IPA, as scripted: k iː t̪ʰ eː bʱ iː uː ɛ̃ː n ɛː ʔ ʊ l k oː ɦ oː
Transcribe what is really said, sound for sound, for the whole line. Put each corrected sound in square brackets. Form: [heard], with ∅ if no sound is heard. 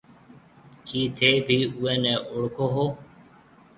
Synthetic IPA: k iː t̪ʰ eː bʱ iː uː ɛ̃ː n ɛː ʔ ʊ [ɽ] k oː ɦ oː

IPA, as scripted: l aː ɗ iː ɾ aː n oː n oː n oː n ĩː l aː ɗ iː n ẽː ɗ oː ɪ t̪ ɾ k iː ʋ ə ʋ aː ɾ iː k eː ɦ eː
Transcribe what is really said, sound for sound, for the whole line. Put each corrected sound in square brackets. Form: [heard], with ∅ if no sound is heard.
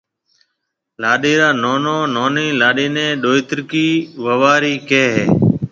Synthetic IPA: l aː ɗ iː ɾ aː n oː n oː n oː n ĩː l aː ɗ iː n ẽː ɗ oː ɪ t̪ ɾ k iː ʋ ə ʋ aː ɾ iː k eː ɦ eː

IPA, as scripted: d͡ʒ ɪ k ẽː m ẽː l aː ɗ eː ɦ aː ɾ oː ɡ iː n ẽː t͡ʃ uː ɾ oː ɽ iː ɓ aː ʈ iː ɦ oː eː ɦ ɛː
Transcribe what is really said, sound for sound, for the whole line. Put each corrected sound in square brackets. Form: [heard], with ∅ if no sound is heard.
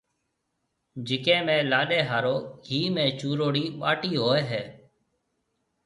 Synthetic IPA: d͡ʒ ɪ k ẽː m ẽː l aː ɗ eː ɦ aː ɾ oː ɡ iː [m] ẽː t͡ʃ uː ɾ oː ɽ iː ɓ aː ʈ iː ɦ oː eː ɦ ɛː

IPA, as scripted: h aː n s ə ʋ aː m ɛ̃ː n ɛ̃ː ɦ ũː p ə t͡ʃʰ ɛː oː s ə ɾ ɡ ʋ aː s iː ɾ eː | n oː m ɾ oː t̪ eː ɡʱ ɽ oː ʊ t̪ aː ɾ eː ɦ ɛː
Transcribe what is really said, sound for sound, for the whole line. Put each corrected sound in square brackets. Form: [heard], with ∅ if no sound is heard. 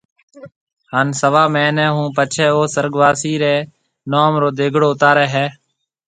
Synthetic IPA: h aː n s ə ʋ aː m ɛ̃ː n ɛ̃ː ɦ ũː p ə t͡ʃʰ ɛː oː s ə ɾ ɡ ʋ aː s iː ɾ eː | n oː m ɾ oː [d̪] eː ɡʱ ɽ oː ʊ t̪ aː ɾ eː ɦ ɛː

